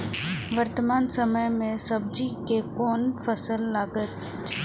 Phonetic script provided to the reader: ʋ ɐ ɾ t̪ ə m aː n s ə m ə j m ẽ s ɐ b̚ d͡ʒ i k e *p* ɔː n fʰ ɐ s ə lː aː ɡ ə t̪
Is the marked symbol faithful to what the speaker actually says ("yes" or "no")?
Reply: no